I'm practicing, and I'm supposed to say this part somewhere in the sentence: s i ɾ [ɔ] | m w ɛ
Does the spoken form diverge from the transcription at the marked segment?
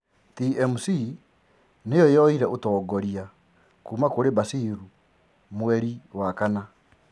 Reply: yes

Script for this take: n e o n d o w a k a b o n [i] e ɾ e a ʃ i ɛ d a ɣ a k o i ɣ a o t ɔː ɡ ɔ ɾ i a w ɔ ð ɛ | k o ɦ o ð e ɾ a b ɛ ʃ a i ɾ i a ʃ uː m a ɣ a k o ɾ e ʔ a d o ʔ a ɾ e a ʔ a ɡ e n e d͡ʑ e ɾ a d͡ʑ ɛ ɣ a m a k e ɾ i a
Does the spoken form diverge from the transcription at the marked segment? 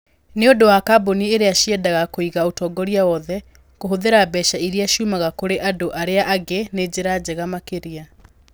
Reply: no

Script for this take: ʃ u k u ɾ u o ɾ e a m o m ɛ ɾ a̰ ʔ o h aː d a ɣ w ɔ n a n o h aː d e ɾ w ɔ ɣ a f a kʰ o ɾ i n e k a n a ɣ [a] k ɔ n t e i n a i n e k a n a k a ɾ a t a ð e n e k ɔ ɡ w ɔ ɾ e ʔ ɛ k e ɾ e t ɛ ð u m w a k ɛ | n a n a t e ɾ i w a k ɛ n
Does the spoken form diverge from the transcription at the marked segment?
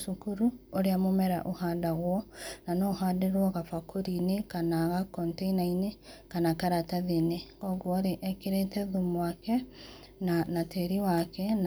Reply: no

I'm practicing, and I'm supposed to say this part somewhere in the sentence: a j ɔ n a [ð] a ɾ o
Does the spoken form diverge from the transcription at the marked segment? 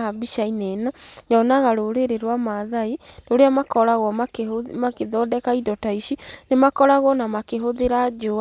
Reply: yes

